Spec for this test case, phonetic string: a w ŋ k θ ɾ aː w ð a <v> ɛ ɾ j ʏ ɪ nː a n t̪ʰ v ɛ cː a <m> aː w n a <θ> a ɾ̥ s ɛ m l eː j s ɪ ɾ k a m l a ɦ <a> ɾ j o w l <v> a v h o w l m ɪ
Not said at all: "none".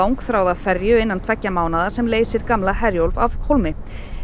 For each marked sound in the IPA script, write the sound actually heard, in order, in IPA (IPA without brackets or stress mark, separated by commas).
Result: f, m, ð, ɛ, v